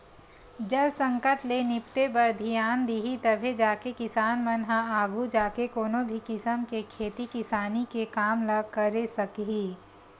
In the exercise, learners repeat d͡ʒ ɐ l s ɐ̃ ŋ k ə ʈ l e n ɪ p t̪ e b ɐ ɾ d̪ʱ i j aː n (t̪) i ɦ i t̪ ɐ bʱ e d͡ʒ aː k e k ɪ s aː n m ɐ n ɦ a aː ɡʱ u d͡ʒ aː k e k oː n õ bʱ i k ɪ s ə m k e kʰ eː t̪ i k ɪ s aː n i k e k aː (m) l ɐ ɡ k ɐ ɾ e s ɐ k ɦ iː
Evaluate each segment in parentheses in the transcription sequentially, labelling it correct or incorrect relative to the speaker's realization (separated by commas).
incorrect, correct